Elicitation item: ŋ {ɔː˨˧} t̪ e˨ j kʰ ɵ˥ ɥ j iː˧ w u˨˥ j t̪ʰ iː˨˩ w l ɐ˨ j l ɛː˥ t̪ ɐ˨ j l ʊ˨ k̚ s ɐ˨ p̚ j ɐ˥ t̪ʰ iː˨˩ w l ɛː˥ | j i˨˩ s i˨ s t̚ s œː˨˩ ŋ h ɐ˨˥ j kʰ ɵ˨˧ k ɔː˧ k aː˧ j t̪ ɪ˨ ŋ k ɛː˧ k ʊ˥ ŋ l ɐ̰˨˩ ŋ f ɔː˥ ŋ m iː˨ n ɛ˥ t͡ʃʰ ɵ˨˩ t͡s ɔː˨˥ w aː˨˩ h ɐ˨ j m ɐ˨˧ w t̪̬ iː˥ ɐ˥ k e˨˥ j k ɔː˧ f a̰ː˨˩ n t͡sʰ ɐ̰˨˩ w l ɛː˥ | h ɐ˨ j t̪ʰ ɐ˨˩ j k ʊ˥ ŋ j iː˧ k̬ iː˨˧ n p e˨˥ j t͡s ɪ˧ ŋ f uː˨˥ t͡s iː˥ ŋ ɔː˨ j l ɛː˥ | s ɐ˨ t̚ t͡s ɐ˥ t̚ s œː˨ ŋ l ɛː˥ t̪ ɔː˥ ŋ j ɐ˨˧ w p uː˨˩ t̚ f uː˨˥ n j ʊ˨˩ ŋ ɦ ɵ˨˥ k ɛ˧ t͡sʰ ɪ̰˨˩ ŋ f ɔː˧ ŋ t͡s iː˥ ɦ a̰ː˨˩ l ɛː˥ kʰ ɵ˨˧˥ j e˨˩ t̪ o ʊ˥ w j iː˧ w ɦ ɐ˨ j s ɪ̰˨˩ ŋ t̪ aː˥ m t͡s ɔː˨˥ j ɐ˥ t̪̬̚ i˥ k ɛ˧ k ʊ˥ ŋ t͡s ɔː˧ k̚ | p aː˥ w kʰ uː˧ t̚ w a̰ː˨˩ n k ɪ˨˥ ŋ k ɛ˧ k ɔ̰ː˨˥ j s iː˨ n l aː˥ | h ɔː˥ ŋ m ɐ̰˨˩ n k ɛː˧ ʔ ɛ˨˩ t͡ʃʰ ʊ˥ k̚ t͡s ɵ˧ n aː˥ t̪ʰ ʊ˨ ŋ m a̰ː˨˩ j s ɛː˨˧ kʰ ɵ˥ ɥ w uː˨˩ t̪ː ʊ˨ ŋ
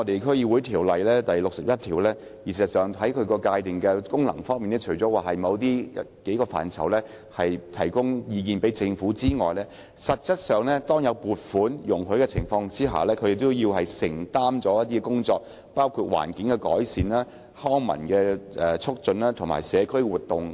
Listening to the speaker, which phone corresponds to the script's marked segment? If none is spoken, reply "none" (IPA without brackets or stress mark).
ɔ˨˧